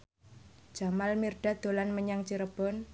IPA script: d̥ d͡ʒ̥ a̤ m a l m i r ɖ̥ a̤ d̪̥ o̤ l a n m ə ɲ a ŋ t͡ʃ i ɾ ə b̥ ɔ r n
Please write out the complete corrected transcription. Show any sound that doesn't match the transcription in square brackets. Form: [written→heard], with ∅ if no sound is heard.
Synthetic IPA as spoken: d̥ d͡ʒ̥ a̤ m a l m i r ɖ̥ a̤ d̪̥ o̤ l a n m ə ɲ a ŋ t͡ʃ i ɾ ə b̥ ɔ [r→∅] n